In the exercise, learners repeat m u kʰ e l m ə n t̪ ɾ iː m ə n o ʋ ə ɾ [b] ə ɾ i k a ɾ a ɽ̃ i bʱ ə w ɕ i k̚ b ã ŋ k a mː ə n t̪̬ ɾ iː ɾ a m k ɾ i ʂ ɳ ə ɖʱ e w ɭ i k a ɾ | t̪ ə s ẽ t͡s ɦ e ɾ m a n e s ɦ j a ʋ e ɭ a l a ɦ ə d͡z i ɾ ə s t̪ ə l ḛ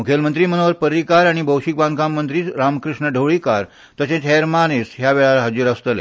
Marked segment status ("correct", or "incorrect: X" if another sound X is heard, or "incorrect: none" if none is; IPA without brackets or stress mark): incorrect: p